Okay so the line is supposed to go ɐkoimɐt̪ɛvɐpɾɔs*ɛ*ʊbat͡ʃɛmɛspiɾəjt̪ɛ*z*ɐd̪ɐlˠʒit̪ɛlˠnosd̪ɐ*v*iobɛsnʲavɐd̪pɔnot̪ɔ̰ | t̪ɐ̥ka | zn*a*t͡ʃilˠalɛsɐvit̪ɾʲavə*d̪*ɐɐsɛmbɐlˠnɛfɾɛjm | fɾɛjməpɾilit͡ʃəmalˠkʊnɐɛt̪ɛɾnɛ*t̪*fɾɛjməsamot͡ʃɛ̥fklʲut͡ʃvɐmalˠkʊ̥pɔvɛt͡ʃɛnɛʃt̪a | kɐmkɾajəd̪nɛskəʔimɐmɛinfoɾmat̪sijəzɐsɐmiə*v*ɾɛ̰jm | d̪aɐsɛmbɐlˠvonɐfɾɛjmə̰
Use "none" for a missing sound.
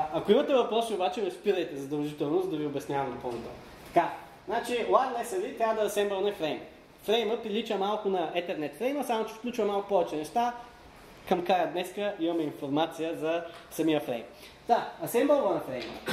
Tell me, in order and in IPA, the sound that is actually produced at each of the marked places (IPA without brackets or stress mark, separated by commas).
i, z, v, a, d̪, t̪, f